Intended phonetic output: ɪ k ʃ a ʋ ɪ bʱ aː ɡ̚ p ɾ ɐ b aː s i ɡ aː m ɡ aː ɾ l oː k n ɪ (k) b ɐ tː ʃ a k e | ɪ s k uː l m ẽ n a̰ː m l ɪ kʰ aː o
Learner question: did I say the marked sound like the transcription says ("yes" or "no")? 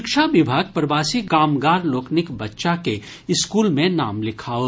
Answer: yes